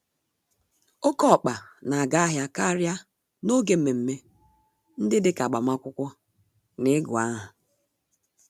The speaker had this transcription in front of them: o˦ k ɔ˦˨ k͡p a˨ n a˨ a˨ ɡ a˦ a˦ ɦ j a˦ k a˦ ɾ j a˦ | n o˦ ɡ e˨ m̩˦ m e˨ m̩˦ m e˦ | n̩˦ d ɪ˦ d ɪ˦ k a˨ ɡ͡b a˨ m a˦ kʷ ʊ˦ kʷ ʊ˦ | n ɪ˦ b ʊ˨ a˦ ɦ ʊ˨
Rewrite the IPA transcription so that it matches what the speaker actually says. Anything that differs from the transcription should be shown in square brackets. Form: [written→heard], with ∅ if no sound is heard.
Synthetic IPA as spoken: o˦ k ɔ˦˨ k͡p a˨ n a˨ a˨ ɡ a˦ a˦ ɦ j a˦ k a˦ ɾ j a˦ | n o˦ ɡ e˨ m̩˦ m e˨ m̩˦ m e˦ | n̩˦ d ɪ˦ d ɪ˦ k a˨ ɡ͡b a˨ m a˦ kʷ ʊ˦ kʷ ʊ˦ | n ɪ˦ [b→ɡ] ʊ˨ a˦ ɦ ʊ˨